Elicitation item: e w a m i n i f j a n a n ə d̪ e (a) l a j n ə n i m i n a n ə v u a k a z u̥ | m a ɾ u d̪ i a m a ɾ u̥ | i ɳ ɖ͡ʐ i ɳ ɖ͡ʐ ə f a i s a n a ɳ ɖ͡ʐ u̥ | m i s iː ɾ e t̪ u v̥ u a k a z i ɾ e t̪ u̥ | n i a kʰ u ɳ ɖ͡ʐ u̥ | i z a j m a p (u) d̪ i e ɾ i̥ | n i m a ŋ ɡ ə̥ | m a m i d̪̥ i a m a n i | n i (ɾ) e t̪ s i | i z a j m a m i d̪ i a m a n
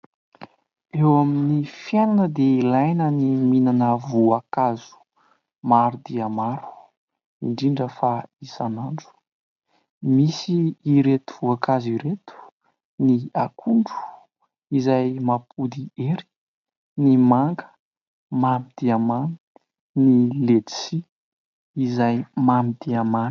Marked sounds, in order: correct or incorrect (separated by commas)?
incorrect, correct, incorrect